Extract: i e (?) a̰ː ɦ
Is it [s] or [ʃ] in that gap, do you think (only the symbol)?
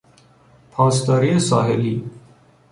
s